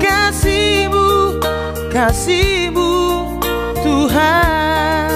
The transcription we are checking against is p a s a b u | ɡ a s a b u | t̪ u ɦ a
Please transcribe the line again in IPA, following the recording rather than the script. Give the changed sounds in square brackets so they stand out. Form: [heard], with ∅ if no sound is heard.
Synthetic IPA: [k] a s [i] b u | [k] a s [i] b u | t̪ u ɦ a

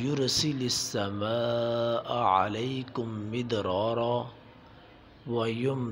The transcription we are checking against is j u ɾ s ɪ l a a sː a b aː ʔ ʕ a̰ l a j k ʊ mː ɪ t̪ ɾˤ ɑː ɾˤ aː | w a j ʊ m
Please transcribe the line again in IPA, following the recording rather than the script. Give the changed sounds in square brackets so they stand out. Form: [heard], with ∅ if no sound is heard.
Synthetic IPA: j [ʊ] ɾ s ɪ l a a sː a [m] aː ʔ ʕ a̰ l a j k ʊ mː ɪ [d̪] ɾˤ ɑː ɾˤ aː | w a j ʊ m

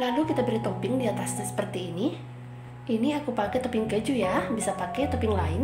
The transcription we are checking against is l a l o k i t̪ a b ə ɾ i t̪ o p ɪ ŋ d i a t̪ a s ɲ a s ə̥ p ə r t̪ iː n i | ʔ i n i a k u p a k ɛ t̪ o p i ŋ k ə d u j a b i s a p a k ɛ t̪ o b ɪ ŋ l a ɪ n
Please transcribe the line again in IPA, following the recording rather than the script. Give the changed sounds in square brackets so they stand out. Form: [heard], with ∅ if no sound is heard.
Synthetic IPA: l a l [u] k i t̪ a b ə ɾ i t̪ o p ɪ ŋ d i a t̪ a s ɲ a s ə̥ p ə r t̪ iː n i | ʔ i n i a k u p a k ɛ t̪ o p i ŋ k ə [d͡ʒ] u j a b i s a p a k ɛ t̪ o [p] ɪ ŋ l a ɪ n

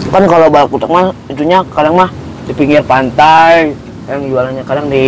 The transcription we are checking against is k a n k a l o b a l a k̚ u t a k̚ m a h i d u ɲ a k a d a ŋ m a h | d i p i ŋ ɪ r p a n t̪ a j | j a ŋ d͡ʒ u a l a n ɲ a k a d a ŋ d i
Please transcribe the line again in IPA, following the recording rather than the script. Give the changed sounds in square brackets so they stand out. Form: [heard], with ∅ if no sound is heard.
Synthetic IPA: k a n k a l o b a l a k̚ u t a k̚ m a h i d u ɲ a k a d a ŋ m a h | d i p i ŋ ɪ r p a n t̪ a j | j a ŋ d͡ʒ u a l a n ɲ a k a d a ŋ d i

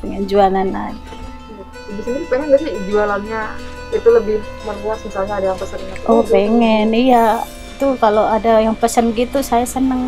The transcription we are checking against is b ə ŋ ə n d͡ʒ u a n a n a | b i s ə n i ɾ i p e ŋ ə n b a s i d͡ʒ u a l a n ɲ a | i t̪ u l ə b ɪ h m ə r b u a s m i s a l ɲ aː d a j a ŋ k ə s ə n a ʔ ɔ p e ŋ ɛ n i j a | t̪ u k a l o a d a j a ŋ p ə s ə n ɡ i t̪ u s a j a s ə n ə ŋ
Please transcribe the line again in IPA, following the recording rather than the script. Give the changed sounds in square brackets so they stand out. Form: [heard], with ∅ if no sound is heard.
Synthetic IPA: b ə ŋ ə n d͡ʒ u a n a n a | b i s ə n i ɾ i p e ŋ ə n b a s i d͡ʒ u a l a n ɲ a | i t̪ u l ə b ɪ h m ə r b u a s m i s a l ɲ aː d a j a ŋ [p] ə s ə n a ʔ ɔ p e ŋ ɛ n i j a | t̪ u k a l o a d a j a ŋ p ə s ə n ɡ i t̪ u s a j a s ə n ə ŋ

